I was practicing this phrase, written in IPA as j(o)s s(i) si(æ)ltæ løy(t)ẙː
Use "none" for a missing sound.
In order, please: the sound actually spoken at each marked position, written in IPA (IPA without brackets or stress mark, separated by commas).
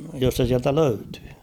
o, e, æ, t